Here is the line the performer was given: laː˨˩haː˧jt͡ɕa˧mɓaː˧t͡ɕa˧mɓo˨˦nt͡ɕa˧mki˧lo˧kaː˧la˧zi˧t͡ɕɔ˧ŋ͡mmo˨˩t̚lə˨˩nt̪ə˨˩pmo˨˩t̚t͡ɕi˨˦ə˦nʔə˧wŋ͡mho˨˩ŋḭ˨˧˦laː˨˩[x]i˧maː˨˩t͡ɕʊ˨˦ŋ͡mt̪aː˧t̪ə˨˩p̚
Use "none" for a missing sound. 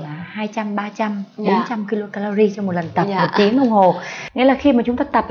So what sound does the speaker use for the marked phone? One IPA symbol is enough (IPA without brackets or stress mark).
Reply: x